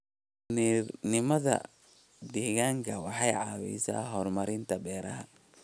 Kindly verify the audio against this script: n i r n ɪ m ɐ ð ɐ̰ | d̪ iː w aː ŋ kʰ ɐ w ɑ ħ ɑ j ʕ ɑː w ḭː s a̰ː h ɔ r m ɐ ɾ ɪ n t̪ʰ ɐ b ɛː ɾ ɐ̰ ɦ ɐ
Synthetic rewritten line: n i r n ɪ m ɐ ð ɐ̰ | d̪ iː ɣ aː ŋ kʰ ɐ w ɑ ħ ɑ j ʕ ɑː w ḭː s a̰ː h ɔ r m ɐ ɾ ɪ n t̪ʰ ɐ b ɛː ɾ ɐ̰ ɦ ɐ